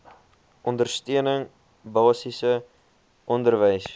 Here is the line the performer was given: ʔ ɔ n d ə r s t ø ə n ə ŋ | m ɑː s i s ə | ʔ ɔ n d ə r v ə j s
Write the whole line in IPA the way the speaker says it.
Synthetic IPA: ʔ ɔ n d ə r s t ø ə n ə ŋ | b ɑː s i s ə | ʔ ɔ n d ə r v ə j s

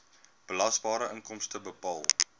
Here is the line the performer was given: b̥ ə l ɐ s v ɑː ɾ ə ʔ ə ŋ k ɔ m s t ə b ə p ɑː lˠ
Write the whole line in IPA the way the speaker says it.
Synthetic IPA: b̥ ə l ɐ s b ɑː ɾ ə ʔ ə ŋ k ɔ m s t ə b ə p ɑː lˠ

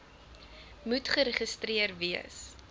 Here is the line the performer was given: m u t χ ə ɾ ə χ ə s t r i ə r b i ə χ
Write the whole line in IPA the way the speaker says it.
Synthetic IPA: m u t χ ə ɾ ə χ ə s t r i ə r v i ə s

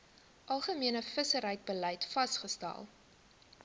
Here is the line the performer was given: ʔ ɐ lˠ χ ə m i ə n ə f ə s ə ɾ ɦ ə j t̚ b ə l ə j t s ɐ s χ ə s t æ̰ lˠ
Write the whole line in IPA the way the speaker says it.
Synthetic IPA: ʔ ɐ lˠ χ ə m i ə n ə f ə s ə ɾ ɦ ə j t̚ b ə l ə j t f ɐ s χ ə s t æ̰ lˠ

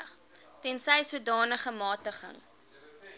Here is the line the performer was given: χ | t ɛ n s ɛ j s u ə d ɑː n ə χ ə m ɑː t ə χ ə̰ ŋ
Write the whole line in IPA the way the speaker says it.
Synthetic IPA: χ | t ɛ n s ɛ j s u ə d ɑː n ə χ ə m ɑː t ə χ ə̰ ŋ

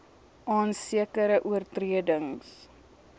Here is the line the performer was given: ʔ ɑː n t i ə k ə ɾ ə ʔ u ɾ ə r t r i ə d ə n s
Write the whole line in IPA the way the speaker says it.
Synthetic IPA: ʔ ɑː n s i ə k ə ɾ ə ʔ u ə r t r i ə d ə ŋ s

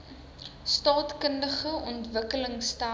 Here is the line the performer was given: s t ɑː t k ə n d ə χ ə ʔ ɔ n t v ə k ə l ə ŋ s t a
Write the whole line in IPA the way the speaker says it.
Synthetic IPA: s t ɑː t k ə n d ə χ ə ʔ ɔ n t v ə k ə l ə ŋ s t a

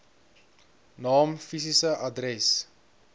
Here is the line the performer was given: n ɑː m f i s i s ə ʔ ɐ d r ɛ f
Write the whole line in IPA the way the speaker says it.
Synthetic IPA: n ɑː m f i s i s ə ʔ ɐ d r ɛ s

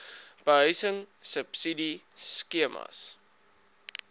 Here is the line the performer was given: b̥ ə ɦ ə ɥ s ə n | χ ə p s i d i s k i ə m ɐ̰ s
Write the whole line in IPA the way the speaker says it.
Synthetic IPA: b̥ ə ɦ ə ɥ s ə ŋ | s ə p s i d i s k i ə m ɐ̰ s

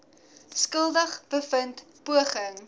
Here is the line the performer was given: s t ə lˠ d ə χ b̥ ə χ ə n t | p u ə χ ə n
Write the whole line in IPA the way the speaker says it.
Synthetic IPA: s k ə lˠ d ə χ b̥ ə f ə n t | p u ə χ ə ŋ

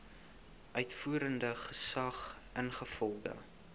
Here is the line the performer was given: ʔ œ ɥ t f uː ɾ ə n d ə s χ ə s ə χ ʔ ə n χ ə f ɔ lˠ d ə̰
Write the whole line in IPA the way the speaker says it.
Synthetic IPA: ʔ œ ɥ t f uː ɾ ə n d ə χ ə s ɐ χ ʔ ə n χ ə f ɔ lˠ d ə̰

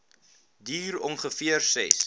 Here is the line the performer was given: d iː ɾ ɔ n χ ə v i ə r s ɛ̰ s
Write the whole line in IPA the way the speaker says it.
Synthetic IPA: d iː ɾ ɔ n χ ə f i ə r s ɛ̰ s

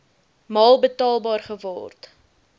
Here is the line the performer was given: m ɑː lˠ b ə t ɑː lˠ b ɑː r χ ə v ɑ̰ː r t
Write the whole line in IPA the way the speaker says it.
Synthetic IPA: m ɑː lˠ b ə t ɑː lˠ b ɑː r χ ə v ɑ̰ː r t

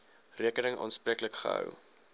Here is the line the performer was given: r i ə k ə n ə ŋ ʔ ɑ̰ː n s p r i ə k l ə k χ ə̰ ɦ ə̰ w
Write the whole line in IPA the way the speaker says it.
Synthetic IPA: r i ə k ə n ə ŋ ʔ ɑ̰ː n s p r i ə k l ə k χ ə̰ ɦ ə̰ w

